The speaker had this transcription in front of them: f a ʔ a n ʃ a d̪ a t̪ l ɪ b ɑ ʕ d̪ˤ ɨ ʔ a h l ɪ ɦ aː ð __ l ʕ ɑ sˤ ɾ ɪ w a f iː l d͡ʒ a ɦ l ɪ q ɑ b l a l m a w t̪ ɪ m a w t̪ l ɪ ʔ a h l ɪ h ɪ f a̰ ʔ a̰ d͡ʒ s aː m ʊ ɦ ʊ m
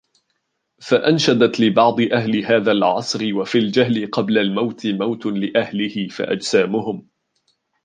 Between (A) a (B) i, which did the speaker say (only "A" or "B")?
A